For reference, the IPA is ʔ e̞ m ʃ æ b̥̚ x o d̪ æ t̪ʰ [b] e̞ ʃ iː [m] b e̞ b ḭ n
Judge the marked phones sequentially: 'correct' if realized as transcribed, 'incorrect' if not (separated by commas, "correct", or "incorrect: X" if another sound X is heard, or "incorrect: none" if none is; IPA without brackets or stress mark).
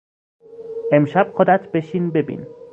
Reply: correct, incorrect: n